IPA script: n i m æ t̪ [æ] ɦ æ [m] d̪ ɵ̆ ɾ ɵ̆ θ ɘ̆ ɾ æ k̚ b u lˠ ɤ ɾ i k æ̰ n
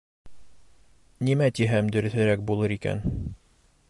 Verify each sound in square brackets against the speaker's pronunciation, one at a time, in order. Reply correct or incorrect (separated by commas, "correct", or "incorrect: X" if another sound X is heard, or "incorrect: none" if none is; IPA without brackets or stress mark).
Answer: incorrect: i, correct